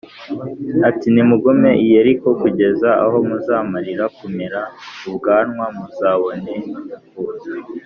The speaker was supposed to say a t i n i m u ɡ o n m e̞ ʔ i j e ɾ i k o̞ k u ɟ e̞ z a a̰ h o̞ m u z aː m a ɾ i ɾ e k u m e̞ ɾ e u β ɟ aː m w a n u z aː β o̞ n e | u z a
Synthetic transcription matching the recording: a t i n i m u ɡ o m e̞ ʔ i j e ɾ i k o̞ k u ɟ e̞ z a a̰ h o̞ m u z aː m a ɾ i ɾ a k u m e̞ ɾ a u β ɡ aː n w a m u z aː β o̞ n e | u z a